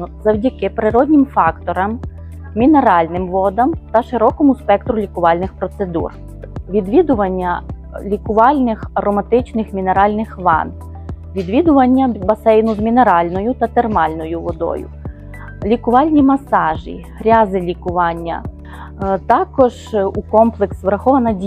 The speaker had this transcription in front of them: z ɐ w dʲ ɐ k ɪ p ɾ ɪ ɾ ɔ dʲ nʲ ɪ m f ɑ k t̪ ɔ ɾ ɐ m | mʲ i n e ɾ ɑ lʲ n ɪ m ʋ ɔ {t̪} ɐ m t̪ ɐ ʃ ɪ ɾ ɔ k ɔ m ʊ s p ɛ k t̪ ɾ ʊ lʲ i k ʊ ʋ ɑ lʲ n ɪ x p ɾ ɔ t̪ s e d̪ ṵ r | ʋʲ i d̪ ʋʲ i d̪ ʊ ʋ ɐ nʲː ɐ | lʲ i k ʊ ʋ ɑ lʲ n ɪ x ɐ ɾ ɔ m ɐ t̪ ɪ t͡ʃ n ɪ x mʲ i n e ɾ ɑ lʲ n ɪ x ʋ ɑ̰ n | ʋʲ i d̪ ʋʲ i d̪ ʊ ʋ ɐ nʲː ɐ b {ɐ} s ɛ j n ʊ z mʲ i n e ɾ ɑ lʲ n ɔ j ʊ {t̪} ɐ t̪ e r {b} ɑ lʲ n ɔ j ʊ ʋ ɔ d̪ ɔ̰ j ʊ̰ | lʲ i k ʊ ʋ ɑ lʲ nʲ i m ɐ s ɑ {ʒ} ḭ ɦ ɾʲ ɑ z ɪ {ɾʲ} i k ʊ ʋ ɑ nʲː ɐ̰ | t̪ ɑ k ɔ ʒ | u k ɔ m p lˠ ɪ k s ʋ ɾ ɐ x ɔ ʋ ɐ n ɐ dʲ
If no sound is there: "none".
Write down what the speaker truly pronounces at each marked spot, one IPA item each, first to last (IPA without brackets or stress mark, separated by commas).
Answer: d̪, ɐ, t̪, m, ʒ, lʲ